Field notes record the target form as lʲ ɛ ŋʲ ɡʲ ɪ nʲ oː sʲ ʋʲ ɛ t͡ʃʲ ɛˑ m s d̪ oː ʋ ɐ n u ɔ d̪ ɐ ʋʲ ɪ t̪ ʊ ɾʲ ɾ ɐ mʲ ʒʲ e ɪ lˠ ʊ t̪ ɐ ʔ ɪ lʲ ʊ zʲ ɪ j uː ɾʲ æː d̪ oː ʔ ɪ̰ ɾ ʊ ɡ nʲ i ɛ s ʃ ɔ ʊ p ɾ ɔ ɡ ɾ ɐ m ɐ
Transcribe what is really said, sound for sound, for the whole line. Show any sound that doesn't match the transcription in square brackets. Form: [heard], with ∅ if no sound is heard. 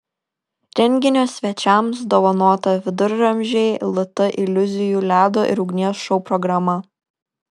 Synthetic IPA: [ɾʲ] ɛ ŋʲ ɡʲ ɪ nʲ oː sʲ ʋʲ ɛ t͡ʃʲ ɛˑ m s d̪ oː ʋ ɐ n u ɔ [t̪] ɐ ʋʲ ɪ [d̪] ʊ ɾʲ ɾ ɐ mʲ ʒʲ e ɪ lˠ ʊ t̪ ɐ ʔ ɪ lʲ ʊ zʲ ɪ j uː [lʲ] æː d̪ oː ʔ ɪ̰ ɾ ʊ ɡ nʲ i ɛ s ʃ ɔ ʊ p ɾ ɔ ɡ ɾ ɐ m ɐ